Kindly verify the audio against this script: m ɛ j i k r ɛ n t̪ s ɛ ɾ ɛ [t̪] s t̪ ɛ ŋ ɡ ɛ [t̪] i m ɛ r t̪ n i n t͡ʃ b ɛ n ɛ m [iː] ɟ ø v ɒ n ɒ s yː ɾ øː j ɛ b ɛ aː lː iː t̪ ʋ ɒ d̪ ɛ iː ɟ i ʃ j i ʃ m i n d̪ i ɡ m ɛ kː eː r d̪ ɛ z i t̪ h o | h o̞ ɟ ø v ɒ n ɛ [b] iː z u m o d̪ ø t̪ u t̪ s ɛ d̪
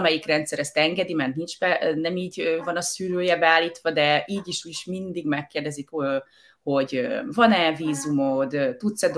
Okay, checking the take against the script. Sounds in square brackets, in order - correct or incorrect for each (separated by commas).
incorrect, incorrect, correct, incorrect